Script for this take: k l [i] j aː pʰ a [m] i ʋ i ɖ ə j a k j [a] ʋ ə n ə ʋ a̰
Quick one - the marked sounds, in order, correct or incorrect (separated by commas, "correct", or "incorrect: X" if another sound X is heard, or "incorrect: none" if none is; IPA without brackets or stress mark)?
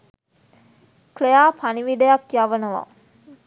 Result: incorrect: e, incorrect: n, correct